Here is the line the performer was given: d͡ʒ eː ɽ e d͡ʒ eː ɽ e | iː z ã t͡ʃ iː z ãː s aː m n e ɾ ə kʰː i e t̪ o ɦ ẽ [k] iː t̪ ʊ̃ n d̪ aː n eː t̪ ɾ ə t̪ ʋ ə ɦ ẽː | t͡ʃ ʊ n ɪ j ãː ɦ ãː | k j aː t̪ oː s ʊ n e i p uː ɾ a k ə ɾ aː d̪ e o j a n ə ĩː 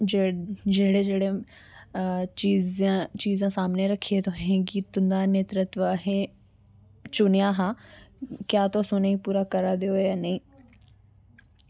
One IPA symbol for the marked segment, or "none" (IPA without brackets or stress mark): ɡ